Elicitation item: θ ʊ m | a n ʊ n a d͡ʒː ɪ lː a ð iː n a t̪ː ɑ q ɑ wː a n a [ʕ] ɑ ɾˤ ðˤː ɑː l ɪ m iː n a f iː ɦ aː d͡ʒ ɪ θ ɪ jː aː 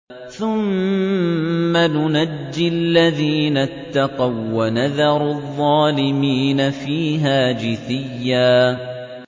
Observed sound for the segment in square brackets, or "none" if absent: ð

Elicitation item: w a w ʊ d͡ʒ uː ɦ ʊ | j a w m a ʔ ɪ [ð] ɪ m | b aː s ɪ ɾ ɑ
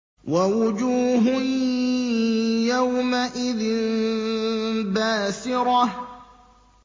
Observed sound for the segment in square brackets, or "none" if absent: ð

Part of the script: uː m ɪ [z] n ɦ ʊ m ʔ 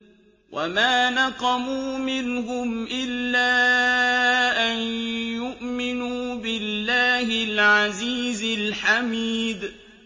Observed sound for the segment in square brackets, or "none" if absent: none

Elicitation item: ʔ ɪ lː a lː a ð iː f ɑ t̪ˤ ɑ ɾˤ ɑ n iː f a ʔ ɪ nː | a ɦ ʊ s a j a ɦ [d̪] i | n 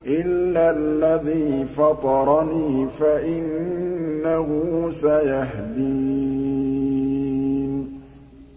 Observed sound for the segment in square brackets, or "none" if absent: d̪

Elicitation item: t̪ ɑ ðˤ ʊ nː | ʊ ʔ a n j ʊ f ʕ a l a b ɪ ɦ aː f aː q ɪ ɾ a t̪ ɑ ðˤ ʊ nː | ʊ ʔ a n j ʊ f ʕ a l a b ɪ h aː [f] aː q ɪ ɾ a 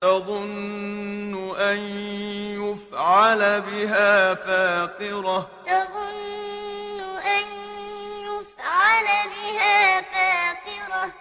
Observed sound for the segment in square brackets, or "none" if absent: f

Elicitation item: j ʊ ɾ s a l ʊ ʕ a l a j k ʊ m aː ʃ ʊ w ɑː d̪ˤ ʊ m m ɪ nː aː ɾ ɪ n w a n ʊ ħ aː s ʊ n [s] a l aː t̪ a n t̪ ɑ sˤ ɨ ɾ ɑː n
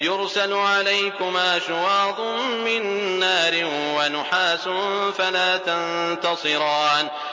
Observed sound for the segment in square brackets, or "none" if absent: f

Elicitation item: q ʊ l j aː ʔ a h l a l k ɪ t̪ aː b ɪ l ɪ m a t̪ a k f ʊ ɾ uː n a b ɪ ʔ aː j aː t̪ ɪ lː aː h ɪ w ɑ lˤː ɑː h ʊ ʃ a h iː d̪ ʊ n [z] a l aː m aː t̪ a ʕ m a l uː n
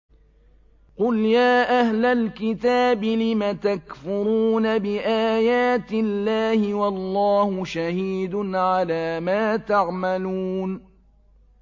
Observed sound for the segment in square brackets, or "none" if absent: ʕ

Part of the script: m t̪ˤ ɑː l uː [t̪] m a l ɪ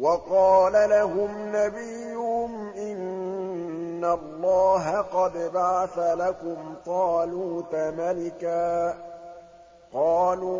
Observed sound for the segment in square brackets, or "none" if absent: t̪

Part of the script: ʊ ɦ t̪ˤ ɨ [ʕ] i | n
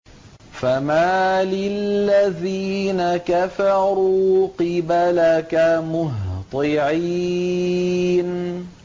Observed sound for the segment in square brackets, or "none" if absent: ʕ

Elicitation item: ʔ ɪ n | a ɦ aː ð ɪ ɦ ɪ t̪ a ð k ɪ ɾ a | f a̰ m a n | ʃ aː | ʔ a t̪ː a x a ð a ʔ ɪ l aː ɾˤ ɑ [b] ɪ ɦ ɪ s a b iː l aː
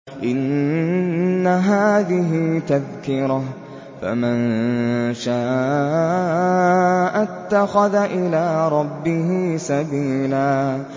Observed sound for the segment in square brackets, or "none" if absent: bː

